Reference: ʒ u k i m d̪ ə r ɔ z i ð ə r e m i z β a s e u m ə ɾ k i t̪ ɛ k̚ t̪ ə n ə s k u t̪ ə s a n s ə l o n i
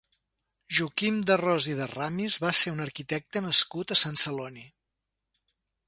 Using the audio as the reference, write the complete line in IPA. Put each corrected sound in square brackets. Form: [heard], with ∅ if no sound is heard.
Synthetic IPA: ʒ u k i m d̪ ə r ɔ z i ð ə r [a] m i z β a s e u [n] ə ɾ k i t̪ ɛ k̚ t̪ ə n ə s k u t̪ ə s a n s ə l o n i